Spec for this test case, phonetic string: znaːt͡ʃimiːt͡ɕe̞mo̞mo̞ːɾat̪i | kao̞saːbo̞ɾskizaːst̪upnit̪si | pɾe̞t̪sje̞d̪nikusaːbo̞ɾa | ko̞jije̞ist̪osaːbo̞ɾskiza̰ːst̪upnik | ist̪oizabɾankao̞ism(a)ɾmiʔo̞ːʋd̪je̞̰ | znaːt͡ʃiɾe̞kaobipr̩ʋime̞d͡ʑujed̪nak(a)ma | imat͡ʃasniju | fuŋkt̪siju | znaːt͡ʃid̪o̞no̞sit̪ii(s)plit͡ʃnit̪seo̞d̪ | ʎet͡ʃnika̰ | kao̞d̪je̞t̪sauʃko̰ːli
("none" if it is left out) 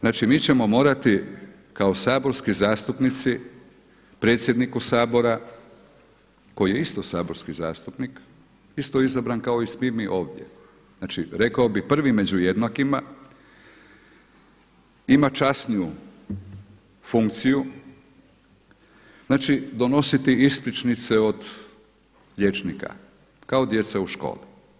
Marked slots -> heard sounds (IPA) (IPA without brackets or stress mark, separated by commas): i, i, s